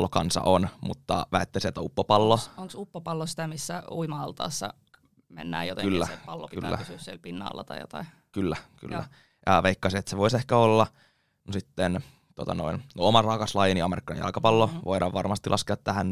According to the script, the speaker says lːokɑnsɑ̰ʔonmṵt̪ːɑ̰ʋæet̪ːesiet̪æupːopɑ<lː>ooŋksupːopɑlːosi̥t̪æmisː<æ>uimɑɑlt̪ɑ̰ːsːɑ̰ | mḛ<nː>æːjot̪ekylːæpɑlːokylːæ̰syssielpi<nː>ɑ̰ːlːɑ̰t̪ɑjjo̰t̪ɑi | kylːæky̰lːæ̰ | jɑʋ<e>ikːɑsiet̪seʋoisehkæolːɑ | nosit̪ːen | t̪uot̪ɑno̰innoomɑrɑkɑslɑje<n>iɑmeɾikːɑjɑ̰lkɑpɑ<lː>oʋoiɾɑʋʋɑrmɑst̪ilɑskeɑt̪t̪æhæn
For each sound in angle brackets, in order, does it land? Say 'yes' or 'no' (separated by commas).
yes, yes, yes, yes, yes, yes, yes